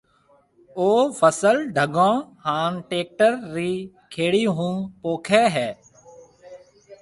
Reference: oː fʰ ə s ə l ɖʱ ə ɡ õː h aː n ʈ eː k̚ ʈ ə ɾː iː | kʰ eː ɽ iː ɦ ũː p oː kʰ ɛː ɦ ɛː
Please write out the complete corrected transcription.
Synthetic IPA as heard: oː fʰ ə s ə l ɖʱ ə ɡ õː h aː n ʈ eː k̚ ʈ ə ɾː iː | kʰ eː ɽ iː ɦ ũː p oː kʰ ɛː ɦ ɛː